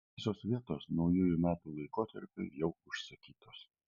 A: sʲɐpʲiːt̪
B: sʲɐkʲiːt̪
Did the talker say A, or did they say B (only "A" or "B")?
B